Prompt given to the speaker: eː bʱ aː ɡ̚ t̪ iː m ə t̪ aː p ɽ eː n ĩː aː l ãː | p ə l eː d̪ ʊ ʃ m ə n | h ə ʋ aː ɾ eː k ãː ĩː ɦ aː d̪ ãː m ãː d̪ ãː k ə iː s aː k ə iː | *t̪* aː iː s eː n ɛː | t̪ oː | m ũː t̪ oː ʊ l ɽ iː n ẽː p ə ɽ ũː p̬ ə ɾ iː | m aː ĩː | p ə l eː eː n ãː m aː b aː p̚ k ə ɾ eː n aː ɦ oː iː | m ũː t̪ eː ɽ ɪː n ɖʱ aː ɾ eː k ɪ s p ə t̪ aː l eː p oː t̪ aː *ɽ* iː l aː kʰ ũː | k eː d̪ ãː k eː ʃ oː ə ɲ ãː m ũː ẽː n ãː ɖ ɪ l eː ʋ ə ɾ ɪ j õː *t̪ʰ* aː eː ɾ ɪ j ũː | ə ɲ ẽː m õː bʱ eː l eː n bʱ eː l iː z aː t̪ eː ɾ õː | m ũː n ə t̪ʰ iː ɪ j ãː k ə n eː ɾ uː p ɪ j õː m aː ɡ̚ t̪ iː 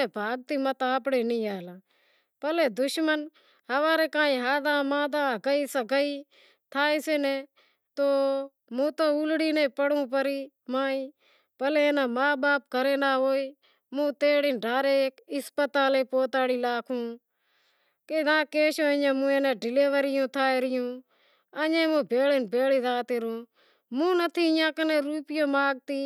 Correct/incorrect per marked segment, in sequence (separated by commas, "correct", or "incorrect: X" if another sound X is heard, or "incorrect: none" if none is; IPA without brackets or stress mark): incorrect: t̪ʰ, correct, correct